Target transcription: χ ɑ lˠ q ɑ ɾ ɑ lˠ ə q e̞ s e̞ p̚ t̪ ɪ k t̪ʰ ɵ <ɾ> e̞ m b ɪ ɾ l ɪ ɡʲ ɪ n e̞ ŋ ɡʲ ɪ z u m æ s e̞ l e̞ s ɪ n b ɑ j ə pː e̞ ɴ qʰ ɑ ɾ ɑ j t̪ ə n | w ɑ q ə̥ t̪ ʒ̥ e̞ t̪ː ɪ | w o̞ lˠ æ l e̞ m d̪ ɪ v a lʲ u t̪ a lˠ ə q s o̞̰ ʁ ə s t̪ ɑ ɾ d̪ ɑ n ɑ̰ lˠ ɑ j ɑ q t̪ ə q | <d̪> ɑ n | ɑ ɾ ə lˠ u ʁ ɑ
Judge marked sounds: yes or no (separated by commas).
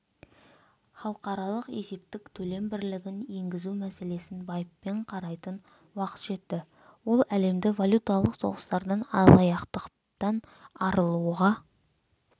no, no